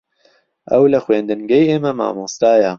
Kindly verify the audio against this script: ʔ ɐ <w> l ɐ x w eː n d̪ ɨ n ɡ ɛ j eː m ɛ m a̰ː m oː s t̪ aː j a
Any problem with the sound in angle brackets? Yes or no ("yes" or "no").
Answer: no